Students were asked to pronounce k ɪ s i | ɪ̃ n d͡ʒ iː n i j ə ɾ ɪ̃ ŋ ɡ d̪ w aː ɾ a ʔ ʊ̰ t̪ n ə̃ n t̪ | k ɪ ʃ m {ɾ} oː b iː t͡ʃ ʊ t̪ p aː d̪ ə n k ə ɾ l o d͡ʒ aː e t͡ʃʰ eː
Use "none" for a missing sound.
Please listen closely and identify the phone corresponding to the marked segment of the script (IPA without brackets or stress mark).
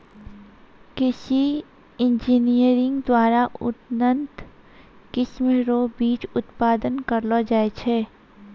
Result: ɾ